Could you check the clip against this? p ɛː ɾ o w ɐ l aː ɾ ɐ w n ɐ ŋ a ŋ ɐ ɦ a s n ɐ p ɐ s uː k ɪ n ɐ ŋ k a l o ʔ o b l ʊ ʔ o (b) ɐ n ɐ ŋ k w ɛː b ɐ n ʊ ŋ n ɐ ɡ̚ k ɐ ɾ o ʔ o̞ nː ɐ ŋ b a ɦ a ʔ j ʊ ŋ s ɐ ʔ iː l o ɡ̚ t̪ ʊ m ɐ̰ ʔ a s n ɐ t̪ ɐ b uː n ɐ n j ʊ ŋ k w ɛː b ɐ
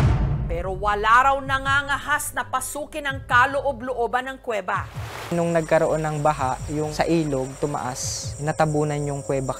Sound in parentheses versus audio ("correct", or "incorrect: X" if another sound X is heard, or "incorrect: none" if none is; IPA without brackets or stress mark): correct